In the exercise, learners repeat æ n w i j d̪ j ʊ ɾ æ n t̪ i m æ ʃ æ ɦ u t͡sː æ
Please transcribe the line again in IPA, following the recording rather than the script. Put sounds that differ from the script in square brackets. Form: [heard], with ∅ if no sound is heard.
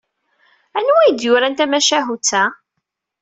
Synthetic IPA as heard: æ n w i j d̪ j ʊ ɾ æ n t̪ [æ] m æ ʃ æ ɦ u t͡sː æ